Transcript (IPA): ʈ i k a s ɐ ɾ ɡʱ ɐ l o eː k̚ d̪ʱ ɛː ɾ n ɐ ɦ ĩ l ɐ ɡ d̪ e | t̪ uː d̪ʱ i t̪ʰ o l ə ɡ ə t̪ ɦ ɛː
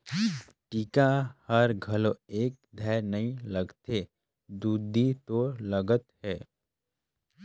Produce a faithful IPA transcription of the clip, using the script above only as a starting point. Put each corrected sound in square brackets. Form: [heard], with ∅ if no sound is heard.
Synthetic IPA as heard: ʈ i k a [h] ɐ ɾ ɡʱ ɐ l o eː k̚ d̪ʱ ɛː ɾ n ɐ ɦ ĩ l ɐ ɡ [t̪] e | [d̪] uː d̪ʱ i [t̪] o l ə ɡ ə t̪ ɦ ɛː